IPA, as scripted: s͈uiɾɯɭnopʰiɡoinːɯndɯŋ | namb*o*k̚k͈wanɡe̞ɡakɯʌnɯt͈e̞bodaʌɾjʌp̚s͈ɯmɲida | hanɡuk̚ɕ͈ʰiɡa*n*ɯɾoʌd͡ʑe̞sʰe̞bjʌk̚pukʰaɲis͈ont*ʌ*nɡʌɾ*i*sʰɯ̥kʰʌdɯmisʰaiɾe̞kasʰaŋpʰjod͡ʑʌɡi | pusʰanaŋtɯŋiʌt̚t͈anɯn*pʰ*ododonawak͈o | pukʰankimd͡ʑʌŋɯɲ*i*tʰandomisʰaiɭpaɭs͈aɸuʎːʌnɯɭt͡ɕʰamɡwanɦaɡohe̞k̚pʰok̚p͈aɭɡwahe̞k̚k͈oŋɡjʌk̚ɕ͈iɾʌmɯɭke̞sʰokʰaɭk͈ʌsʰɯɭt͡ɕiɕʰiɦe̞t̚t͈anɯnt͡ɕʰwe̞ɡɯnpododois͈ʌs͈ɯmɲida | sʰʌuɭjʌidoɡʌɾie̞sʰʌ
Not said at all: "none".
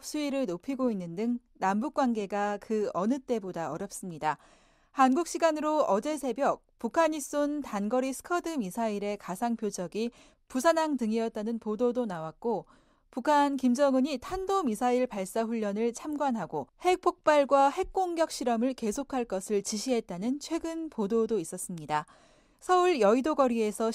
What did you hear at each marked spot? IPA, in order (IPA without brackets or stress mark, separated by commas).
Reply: u, n, a, i, p, i